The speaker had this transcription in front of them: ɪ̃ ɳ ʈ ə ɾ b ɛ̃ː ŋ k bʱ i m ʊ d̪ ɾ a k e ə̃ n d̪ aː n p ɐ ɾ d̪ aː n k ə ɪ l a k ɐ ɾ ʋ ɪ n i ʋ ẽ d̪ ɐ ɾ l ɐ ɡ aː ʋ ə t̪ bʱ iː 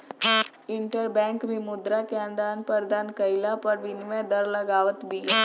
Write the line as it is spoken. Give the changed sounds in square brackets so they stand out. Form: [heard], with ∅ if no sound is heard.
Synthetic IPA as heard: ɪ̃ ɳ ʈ ə ɾ b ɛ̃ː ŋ k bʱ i m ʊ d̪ ɾ a k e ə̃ n d̪ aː n p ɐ ɾ d̪ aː n k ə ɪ l a [p] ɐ ɾ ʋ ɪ n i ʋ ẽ d̪ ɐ ɾ l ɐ ɡ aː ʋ ə t̪ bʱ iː

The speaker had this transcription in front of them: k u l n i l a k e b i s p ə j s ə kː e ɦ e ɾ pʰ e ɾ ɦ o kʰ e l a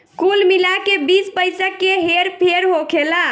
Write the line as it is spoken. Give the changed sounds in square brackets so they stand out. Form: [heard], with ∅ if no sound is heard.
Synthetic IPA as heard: k u l [m] i l a k e b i s p ə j s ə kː e ɦ e ɾ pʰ e ɾ ɦ o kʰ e l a

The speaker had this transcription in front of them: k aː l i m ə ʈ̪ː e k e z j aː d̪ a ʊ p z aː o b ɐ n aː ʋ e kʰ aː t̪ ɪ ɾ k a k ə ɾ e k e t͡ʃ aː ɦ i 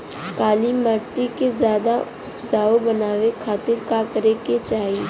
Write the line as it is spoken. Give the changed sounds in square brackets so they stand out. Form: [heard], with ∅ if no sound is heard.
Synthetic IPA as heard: k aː l i m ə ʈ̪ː [i] k e z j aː d̪ a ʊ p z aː o b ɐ n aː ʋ e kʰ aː t̪ ɪ ɾ k a k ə ɾ e k e t͡ʃ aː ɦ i

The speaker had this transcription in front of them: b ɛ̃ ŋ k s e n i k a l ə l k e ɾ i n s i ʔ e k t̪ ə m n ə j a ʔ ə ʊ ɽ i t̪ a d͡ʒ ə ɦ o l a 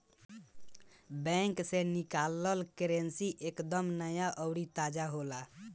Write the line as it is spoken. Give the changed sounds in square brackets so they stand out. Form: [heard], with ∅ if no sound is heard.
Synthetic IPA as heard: b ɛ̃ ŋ k s e n i k a l ə l k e ɾ [e] n s i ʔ e k [d̪] ə m n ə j a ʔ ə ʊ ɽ i t̪ a d͡ʒ [a] ɦ o l a

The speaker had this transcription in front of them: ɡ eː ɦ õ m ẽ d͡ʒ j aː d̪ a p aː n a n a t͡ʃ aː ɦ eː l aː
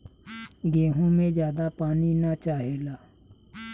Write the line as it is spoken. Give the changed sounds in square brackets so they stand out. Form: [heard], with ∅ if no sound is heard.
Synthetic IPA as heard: ɡ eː ɦ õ m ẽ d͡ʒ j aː d̪ a p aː n [i] n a t͡ʃ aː ɦ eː l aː

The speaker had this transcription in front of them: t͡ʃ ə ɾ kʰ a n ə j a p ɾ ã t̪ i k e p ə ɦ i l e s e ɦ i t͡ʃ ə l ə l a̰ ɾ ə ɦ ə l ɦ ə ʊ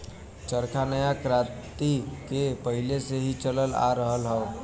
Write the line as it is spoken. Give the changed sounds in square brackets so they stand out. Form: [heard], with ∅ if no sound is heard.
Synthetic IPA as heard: t͡ʃ ə ɾ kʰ a n ə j a [k] ɾ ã t̪ i k e p ə ɦ i l e s e ɦ i t͡ʃ ə l ə l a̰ ɾ ə ɦ ə l ɦ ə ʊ

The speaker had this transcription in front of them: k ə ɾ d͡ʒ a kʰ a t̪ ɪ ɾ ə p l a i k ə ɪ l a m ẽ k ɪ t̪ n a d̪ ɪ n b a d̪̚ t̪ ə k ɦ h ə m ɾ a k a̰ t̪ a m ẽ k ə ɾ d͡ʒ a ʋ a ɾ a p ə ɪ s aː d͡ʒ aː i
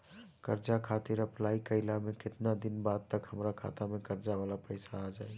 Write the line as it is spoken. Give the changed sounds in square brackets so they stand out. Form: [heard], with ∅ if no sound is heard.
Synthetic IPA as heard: k ə ɾ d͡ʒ a kʰ a t̪ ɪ ɾ ə p l a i k ə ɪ l a m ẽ k ɪ t̪ n a d̪ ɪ n b a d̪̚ t̪ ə k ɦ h ə m ɾ a [kʰ] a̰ t̪ a m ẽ k ə ɾ d͡ʒ a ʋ a [l] a p ə ɪ s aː d͡ʒ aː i

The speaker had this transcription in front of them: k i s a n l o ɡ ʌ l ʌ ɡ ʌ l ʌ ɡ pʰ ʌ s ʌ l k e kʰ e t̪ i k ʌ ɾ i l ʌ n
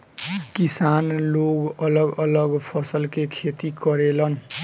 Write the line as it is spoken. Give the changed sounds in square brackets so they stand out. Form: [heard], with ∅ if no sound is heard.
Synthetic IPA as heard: k i s a n l o ɡ ʌ l ʌ ɡ ʌ l ʌ ɡ pʰ ʌ s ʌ l k e kʰ e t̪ i k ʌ ɾ [e] l ʌ n

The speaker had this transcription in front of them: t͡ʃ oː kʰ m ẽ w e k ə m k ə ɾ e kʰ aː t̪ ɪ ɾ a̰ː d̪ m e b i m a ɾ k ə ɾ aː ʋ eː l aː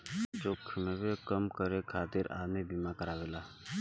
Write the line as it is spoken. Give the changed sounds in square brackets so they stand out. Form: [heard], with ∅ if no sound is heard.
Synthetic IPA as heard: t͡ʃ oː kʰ m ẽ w e k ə m k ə ɾ e kʰ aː t̪ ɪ ɾ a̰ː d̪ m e b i m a [∅] k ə ɾ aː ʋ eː l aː

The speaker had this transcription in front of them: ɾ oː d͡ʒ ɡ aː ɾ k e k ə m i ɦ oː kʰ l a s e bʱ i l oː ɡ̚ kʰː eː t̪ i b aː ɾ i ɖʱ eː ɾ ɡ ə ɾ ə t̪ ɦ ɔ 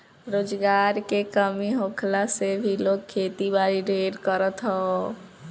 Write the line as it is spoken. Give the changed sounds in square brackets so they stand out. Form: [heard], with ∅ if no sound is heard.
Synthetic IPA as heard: ɾ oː d͡ʒ ɡ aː ɾ k e k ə m i ɦ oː kʰ l a s e bʱ i l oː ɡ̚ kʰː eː t̪ i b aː ɾ i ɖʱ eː ɾ [k] ə ɾ ə t̪ ɦ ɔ

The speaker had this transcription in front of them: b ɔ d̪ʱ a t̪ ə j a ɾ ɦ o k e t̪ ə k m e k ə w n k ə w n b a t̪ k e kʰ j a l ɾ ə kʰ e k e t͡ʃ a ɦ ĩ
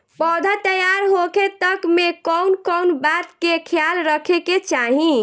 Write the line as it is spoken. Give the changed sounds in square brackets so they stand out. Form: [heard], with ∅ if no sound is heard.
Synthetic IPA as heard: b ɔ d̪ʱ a t̪ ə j a ɾ ɦ o k e t̪ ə k m e k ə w n k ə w n b a t̪ k e kʰ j a l ɾ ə kʰ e k e t͡ʃ a ɦ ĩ

